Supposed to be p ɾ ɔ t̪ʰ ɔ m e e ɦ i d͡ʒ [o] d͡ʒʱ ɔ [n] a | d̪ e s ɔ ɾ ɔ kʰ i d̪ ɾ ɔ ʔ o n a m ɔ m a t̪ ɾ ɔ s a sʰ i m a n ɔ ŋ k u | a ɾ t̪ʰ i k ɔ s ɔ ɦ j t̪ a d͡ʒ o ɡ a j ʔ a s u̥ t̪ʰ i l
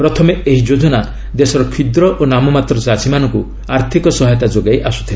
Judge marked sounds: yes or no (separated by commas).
yes, yes